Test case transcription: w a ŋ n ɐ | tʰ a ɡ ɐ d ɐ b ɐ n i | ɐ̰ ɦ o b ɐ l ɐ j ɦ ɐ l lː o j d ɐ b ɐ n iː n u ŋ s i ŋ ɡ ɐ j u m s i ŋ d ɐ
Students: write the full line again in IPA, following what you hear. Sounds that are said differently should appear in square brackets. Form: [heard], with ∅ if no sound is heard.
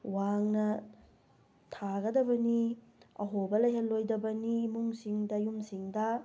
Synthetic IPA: w a ŋ n ɐ | tʰ a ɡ ɐ d ɐ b ɐ n i | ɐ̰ ɦ o b ɐ l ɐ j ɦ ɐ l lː o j d ɐ b ɐ n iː [m] u ŋ s i ŋ [d] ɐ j u m s i ŋ d ɐ